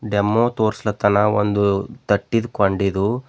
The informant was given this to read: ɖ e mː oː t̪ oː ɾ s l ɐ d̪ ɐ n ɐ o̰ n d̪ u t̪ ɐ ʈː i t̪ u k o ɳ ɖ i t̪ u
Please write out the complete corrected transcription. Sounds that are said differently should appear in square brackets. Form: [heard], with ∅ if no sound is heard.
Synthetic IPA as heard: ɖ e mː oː t̪ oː ɾ s l ɐ [t̪] ɐ n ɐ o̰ n d̪ u t̪ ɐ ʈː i [d̪] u k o ɳ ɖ i [d̪] u